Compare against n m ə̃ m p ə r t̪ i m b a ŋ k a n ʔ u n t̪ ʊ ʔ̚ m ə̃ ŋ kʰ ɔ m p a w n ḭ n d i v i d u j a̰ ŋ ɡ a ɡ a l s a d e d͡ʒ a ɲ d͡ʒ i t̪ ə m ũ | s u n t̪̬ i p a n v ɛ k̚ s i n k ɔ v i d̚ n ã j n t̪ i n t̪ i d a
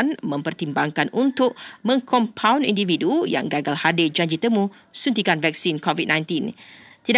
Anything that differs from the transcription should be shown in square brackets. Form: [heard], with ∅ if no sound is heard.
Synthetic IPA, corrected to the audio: n m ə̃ m p ə r t̪ i m b a ŋ k a n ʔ u n t̪ ʊ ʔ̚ m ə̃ ŋ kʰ ɔ m [pʰ] a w n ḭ n d i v i d u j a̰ ŋ ɡ a ɡ a l [h] a d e d͡ʒ a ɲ d͡ʒ i t̪ ə m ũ | s u n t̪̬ i [k] a n v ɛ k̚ s i n k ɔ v i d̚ n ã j n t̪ i n t̪ i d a